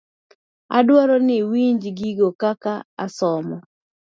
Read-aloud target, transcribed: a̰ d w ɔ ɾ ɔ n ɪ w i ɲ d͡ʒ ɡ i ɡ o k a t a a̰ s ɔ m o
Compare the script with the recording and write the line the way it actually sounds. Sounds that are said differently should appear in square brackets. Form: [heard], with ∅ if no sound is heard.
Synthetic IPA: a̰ d w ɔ ɾ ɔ n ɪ w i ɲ d͡ʒ ɡ i ɡ o k a [k] a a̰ s ɔ m [ɔ]